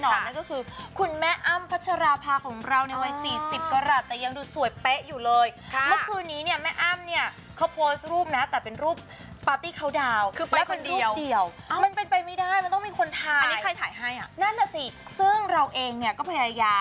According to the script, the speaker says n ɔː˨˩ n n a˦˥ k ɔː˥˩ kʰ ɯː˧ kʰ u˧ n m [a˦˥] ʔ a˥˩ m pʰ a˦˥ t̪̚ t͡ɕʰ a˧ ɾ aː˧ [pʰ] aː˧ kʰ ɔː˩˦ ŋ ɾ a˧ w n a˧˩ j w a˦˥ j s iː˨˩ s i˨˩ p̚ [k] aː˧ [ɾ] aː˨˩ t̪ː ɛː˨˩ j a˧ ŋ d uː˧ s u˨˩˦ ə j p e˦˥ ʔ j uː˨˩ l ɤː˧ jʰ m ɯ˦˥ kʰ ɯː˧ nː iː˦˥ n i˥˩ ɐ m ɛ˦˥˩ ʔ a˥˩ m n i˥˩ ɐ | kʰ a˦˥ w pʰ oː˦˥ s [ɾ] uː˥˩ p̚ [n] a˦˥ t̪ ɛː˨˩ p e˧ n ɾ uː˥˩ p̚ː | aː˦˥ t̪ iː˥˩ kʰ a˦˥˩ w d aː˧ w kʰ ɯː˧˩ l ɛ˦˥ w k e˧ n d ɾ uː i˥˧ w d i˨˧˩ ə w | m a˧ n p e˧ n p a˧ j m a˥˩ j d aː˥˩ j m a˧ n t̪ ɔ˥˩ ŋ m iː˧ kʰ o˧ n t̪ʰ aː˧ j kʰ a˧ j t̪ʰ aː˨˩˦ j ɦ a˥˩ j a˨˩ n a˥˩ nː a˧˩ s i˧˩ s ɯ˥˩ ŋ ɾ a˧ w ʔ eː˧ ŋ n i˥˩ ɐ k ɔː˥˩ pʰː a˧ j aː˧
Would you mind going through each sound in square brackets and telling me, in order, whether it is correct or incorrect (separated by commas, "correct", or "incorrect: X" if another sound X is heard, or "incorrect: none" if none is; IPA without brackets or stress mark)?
incorrect: ɛ˦˥, correct, correct, correct, correct, correct